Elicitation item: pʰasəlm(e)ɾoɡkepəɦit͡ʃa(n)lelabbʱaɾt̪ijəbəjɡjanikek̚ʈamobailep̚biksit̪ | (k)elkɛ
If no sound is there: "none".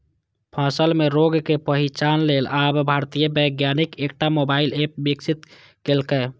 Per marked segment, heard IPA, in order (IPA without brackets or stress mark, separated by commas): e, n, k